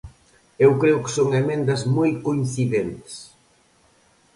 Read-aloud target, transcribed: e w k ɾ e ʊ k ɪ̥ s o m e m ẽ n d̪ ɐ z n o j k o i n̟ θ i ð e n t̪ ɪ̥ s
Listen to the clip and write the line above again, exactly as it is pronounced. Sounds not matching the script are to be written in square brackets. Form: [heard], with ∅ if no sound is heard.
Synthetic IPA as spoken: e w k ɾ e ʊ k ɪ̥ s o [ŋ] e m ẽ n d̪ ɐ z [m] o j k o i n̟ θ i ð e n t̪ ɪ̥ s